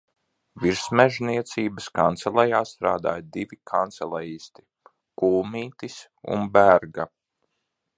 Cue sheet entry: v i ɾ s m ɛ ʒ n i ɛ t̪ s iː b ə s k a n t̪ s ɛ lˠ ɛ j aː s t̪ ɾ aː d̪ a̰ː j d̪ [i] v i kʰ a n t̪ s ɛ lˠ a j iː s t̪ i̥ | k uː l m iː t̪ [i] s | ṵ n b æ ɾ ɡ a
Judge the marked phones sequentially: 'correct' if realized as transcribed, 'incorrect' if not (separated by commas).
correct, correct